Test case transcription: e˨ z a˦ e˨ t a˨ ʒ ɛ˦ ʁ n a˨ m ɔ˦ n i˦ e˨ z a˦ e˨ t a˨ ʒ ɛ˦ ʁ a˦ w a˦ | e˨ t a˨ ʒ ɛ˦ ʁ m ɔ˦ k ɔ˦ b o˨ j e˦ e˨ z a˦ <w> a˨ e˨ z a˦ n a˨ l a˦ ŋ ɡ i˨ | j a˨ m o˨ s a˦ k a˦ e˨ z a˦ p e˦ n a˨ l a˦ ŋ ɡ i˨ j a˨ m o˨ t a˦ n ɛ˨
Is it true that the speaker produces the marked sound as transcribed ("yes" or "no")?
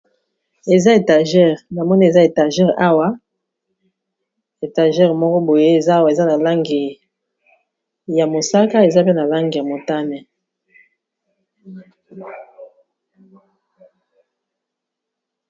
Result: yes